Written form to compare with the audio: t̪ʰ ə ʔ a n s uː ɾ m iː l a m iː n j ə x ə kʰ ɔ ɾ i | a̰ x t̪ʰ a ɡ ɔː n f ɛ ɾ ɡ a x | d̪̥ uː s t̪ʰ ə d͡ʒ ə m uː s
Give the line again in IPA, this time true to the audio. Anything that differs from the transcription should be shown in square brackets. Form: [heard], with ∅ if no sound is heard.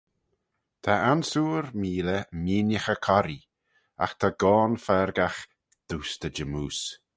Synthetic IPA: t̪ʰ [a] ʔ a n s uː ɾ m iː l [ə] m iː n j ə x ə kʰ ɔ ɾ i | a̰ x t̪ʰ a ɡ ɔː n f ɛ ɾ ɡ a x | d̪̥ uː s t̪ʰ ə d͡ʒ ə m uː s

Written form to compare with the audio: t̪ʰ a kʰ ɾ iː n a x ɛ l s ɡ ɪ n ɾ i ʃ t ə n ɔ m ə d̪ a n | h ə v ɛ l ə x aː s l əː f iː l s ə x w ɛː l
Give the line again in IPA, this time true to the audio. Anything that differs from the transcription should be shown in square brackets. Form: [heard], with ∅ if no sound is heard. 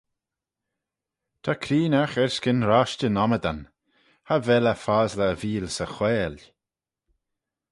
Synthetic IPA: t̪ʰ a kʰ ɾ iː n a x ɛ [ɹ] s [k] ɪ n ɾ [a] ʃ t ə n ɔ m ə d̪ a n | h [a] v ɛ l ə [f] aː [z] l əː [v] iː l s ə x w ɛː l

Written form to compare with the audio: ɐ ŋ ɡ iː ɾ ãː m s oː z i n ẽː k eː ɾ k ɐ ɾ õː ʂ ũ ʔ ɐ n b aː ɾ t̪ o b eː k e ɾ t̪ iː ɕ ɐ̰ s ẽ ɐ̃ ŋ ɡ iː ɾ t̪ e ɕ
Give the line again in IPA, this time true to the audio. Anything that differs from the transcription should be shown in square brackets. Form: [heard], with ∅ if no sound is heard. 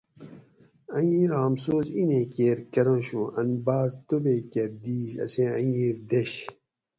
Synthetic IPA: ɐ ŋ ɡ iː ɾ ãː m s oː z i n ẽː k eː ɾ k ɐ ɾ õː [ɕ] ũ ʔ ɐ n b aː ɾ t̪ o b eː k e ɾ [d̪] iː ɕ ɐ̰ s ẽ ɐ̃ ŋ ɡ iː ɾ [d̪] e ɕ

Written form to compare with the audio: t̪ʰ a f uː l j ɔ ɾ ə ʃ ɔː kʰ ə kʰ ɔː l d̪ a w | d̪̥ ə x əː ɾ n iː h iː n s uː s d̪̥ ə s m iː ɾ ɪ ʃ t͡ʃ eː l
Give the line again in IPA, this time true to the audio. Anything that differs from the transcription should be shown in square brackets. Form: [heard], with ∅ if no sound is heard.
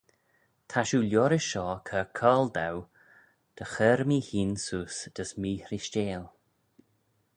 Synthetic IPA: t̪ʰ a [ʃ] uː l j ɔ ɾ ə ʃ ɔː kʰ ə kʰ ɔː l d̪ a w | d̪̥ ə x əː ɾ [m] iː h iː n s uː s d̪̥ ə s m iː ɾ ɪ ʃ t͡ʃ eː l

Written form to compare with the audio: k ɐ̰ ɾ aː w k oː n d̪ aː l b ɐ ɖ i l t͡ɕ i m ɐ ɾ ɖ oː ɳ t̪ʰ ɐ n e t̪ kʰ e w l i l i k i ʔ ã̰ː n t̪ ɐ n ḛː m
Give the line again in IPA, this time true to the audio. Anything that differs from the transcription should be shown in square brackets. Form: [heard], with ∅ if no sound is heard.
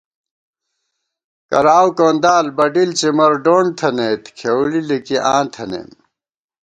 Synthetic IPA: k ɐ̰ ɾ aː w k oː n d̪ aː l b ɐ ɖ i l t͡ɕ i m ɐ ɾ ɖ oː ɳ t̪ʰ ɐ n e t̪ kʰ e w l i l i k i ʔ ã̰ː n [t̪ʰ] ɐ n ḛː m

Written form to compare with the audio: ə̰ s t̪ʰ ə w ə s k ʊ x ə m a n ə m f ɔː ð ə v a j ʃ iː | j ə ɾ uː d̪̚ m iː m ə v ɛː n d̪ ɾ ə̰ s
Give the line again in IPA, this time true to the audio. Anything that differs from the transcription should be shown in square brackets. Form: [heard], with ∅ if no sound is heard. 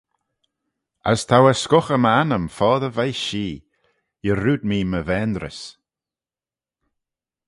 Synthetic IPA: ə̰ s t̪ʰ [a] w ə s k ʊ x ə m a n ə m f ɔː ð ə v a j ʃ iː | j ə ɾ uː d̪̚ m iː m ə v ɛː n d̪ ɾ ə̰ s

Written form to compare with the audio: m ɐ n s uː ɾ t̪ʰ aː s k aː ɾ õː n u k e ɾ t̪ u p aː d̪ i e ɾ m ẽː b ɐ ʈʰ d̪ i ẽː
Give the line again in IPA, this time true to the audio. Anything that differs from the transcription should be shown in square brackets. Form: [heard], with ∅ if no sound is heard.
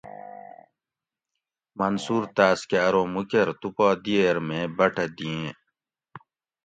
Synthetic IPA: m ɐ n s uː ɾ [t̪] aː s k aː ɾ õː [m] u k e ɾ t̪ u p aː d̪ i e ɾ m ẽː b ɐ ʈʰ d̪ i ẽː

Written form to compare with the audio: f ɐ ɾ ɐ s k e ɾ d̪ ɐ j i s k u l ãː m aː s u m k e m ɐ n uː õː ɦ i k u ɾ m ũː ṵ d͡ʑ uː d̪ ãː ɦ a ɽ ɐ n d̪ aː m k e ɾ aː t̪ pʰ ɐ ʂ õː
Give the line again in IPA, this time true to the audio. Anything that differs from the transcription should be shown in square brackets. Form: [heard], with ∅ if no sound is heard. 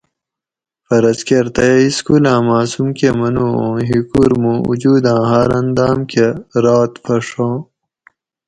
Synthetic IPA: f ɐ ɾ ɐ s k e ɾ [t̪] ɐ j i s k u l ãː m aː s u m k e m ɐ n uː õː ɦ i k u ɾ m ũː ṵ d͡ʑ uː d̪ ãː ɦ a [ɾ] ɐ n d̪ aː m k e ɾ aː t̪ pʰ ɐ ʂ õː

